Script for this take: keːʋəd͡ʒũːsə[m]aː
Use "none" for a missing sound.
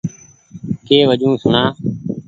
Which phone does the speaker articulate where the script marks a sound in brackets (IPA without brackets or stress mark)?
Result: n